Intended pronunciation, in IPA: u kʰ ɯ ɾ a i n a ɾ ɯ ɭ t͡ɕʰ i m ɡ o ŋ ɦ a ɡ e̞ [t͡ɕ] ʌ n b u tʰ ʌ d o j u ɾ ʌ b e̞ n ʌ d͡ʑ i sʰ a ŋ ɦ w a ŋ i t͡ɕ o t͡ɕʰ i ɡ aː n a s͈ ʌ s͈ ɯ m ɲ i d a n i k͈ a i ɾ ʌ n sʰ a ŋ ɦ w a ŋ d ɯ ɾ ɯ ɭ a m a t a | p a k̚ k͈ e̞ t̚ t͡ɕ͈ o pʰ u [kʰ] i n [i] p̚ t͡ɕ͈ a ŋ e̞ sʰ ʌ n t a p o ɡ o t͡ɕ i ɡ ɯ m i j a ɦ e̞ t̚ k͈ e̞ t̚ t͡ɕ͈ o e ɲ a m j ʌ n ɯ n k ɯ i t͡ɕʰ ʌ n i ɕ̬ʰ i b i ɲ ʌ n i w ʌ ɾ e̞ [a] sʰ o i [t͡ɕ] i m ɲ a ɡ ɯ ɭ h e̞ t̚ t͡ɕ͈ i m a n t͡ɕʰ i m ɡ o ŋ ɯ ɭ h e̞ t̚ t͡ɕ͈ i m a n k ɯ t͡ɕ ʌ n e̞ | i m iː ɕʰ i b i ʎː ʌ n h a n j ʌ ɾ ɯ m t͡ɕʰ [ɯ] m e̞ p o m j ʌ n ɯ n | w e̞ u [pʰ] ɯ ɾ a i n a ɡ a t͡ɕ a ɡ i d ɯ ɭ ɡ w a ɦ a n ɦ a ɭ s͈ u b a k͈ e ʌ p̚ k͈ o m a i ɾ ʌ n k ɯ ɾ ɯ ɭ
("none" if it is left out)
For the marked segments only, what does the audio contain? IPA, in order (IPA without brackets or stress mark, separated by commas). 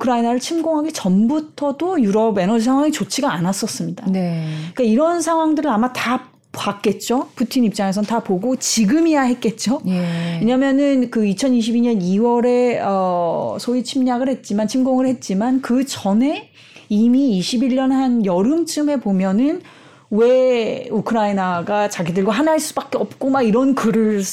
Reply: t͡ɕ, tʰ, i, ʌ, t͡ɕʰ, ɯ, kʰ